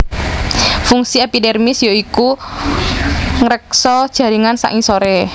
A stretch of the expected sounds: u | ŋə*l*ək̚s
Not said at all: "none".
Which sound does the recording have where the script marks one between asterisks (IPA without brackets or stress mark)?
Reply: ɾ